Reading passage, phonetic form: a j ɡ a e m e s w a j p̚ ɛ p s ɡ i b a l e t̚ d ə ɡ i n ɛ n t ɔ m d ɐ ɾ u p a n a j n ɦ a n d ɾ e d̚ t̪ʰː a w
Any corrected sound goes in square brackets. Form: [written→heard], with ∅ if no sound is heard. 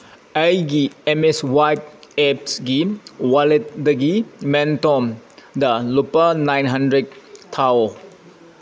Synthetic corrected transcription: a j ɡ [a→i] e m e s w a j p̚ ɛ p s ɡ i [b→w] a l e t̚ d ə ɡ i [n→m] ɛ n t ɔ m d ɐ [ɾ→l] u p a n a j n ɦ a n d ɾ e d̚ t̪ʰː a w